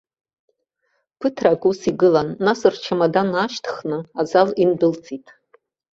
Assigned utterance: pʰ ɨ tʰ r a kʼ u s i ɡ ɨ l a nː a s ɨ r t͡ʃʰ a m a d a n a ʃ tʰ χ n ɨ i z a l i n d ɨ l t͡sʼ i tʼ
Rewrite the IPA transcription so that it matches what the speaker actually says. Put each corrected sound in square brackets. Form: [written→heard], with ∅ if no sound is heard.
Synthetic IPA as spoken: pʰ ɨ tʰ r a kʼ u s i ɡ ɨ l a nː a s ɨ r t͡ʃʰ a m a d a n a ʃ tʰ χ n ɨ [i→a] z a l i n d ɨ l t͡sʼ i tʼ

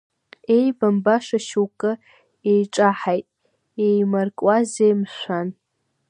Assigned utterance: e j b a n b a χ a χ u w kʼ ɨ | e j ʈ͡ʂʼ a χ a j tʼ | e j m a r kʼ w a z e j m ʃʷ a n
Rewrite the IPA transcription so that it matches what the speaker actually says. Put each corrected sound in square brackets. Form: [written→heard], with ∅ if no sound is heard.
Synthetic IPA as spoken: e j b a [n→m] b a [χ→ʂ] a [χ→ʃ] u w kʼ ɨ | e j ʈ͡ʂʼ a [χ→ħ] a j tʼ | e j m a r kʼ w a z e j m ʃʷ a n

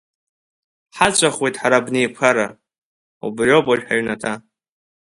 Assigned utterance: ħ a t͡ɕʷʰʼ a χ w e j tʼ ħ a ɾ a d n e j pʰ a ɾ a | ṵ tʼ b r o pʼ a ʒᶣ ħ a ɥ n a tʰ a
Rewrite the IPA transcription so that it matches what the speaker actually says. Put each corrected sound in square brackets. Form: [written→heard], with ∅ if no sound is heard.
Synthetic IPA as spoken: ħ a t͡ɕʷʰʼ a χ w e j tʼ ħ a ɾ a [d→b] n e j pʰ a ɾ a | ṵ [tʼ→∅] b r o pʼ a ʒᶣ ħ a ɥ n a tʰ a

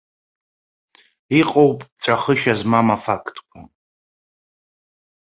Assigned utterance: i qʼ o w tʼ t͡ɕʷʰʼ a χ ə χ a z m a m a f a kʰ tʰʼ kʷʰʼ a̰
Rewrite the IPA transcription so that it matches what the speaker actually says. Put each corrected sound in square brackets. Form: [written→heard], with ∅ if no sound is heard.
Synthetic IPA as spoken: i qʼ o w [tʼ→pʼ] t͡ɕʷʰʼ a χ ə [χ→ʃ] a z m a m a f a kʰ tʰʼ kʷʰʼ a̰

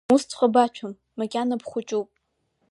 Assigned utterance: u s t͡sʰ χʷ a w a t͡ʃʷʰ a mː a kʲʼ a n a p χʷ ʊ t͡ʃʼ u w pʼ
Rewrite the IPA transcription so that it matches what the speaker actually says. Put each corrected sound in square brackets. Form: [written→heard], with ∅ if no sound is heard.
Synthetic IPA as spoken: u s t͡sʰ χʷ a [w→b] a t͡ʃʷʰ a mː a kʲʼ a n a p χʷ ʊ t͡ʃʼ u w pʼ

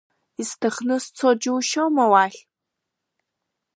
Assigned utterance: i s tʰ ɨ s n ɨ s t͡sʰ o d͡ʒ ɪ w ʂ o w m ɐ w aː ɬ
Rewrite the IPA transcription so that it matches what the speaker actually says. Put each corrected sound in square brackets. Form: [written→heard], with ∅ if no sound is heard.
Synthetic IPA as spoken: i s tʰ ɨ [s→χ] n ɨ s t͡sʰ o d͡ʒ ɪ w [ʂ→ʃ] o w m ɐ w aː ɬ

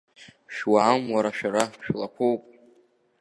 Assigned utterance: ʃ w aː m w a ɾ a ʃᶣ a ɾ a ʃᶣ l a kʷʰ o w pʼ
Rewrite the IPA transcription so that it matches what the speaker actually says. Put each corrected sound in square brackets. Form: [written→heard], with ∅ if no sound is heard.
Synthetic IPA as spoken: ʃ w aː m w a ɾ a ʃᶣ a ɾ a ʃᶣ l a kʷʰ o w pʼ

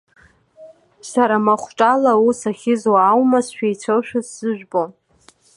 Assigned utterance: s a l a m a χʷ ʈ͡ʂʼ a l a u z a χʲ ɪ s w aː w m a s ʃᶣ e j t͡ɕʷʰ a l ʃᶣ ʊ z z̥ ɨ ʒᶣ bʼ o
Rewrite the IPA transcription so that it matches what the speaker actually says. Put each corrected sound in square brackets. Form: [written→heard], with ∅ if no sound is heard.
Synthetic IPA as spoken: s a [l→ɾ] a m a χʷ ʈ͡ʂʼ a l a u [z→s] a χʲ ɪ [s→z] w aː w m a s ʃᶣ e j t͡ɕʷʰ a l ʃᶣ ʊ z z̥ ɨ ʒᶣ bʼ o

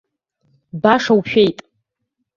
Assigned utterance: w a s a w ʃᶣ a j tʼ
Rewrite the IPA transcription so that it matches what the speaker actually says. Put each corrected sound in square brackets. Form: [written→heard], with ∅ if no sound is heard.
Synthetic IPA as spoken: [w→b] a [s→ʂ] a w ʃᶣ [a→e] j tʼ

